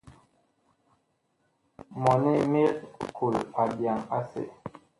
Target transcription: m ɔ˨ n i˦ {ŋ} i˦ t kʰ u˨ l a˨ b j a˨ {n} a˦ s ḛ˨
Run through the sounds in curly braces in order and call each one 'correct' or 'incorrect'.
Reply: incorrect, incorrect

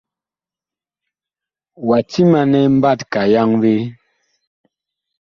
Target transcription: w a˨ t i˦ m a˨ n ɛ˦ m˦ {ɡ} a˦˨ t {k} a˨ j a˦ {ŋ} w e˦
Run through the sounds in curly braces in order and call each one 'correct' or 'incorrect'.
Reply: incorrect, correct, correct

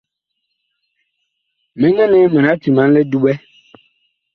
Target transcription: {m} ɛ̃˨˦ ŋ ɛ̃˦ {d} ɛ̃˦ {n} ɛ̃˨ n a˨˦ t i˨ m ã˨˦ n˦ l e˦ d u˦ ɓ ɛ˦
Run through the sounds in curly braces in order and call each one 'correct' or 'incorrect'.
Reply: correct, incorrect, incorrect

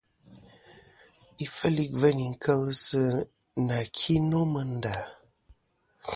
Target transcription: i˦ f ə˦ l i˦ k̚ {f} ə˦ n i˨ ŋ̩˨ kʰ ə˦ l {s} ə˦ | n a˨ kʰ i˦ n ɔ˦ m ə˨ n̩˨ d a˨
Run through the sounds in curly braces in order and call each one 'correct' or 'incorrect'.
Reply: incorrect, correct

